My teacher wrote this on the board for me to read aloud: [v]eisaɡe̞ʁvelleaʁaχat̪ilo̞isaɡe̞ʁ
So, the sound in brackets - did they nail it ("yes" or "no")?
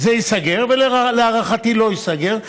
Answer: no